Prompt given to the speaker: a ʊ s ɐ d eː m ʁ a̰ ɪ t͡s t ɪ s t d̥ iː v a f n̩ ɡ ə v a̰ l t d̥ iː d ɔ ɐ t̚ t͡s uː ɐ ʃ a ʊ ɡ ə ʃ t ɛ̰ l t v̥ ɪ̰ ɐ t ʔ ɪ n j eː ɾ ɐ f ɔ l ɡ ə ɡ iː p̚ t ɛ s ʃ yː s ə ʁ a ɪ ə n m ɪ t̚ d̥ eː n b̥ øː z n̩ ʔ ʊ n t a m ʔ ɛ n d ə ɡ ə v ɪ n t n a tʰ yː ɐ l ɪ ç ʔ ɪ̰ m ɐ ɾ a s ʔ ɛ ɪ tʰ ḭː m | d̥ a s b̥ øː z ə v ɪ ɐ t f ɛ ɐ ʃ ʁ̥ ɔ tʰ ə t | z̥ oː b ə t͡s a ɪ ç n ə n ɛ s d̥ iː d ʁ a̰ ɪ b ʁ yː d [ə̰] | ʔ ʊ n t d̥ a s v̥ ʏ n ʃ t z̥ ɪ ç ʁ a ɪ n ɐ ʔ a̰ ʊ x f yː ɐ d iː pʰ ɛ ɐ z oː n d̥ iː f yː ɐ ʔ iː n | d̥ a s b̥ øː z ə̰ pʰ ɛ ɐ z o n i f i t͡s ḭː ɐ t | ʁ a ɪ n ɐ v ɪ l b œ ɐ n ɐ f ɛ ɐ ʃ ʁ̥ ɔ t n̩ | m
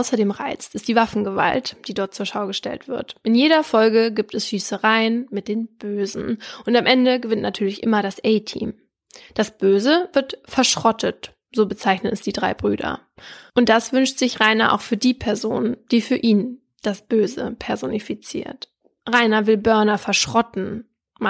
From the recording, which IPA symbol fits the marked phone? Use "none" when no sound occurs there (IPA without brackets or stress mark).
ɐ̰